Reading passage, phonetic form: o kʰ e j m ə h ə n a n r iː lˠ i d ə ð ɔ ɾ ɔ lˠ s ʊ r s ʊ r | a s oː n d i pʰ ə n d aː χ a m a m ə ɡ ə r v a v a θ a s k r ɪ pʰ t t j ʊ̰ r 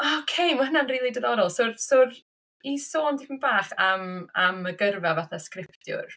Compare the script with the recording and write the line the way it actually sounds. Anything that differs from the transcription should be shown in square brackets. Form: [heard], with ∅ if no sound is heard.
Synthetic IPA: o kʰ e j m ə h ə n a n r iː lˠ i d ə ð ɔ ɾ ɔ lˠ s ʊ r s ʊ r | [i] s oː n d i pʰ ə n [b] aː χ a m a m ə ɡ ə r v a v a θ a s k r ɪ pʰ t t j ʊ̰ r